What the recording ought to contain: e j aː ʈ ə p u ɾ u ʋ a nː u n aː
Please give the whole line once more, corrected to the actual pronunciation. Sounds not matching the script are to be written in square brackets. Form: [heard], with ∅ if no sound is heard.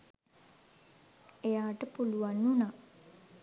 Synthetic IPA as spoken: e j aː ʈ ə p u [l] u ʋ a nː u n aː